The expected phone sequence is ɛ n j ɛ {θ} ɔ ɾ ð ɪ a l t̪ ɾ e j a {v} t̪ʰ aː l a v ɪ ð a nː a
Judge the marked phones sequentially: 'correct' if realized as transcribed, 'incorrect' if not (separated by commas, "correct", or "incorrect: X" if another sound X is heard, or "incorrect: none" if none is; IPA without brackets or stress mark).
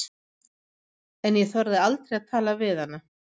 correct, incorrect: ð